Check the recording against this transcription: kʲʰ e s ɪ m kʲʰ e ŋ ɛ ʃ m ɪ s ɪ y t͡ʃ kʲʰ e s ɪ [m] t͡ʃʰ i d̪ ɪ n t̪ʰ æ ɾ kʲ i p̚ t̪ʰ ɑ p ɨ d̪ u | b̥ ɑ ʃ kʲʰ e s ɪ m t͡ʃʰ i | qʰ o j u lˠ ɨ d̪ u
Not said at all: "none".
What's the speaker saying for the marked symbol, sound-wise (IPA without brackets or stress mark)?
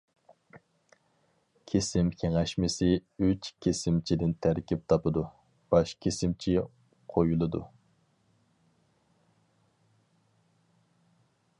m